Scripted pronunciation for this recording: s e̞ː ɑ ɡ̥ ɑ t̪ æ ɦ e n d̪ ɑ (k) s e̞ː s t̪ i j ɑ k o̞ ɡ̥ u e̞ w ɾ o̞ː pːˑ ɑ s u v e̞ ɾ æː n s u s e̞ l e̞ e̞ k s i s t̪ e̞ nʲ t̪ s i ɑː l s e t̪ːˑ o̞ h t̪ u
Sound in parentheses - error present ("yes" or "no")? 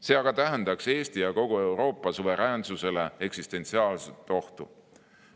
no